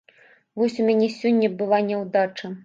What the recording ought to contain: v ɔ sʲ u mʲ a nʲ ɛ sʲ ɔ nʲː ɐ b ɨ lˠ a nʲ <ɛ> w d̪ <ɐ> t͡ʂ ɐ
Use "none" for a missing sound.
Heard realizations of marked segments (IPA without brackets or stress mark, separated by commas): ɛ, a